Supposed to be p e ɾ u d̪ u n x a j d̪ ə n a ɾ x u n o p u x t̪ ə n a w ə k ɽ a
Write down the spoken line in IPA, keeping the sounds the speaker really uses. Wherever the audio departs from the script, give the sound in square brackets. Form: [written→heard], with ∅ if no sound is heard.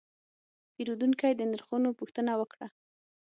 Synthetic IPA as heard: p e ɾ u d̪ u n [x→k] a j d̪ ə n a ɾ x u n o p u x t̪ ə n a w ə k ɽ a